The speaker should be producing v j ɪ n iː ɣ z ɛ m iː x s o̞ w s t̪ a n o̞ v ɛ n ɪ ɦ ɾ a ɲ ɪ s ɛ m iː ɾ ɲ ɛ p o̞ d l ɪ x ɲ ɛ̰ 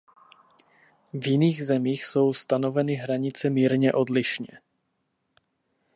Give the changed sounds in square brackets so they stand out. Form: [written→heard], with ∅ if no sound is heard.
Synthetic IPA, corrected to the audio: v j ɪ n iː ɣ z ɛ m iː x s o̞ w s t̪ a n o̞ v ɛ n ɪ ɦ ɾ a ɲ ɪ [s→t͡s] ɛ m iː ɾ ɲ ɛ [p→ʔ] o̞ d l ɪ [x→ʃ] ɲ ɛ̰